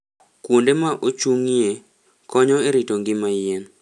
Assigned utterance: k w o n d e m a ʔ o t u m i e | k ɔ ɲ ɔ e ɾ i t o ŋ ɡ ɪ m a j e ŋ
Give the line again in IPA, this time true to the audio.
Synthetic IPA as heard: k w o n d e m a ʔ o t͡ʃ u ŋ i e | k ɔ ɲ ɔ e ɾ i t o ŋ ɡ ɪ m a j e n